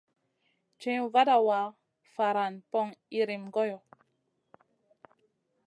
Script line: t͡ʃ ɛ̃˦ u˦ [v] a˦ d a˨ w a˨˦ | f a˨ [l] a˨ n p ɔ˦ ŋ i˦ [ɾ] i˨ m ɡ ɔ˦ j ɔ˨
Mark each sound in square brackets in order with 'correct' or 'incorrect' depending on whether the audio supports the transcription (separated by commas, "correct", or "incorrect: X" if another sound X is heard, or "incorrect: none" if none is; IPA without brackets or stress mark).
correct, incorrect: ɾ, correct